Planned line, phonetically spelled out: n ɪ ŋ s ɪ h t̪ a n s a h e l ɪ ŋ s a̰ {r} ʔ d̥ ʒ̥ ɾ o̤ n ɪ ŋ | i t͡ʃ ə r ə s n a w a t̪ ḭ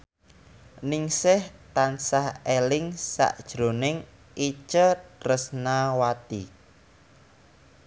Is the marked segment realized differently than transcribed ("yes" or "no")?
yes